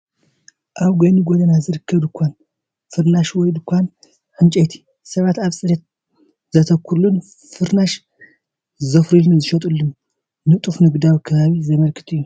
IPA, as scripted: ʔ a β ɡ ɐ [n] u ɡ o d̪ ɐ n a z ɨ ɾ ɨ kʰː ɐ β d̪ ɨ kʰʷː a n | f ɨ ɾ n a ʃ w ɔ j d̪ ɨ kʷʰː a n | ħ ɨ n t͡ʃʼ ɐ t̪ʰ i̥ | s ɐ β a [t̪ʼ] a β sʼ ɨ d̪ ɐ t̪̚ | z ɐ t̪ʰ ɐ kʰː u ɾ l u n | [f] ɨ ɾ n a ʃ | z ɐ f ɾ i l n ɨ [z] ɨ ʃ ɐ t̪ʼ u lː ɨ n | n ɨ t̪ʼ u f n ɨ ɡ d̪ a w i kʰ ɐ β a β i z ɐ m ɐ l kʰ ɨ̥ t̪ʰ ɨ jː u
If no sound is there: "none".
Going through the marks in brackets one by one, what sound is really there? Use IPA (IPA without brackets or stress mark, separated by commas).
n, t̪, f, z